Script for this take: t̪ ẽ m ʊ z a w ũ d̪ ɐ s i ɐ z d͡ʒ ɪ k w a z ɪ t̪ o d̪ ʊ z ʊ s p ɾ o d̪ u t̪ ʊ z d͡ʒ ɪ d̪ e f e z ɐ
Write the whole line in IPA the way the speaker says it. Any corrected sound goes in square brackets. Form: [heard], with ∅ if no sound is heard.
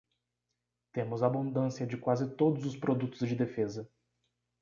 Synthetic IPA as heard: t̪ ẽ m ʊ z a [b] ũ d̪ [ɐ̃] s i ɐ [∅] d͡ʒ ɪ k w a z ɪ t̪ o d̪ ʊ z ʊ s p ɾ o d̪ u t̪ ʊ z d͡ʒ ɪ d̪ e f e z ɐ

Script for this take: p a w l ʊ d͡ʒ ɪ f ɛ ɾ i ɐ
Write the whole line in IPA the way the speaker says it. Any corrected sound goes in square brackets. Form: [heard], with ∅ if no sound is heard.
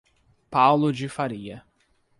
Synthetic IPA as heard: p a w l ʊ d͡ʒ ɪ f [a] ɾ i ɐ

